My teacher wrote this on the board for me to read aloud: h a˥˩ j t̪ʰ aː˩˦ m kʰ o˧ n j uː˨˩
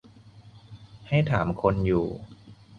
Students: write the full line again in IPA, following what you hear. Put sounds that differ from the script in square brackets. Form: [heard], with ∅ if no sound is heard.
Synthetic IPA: h a˥˩ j t̪ʰ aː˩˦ m kʰ o˧ n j uː˨˩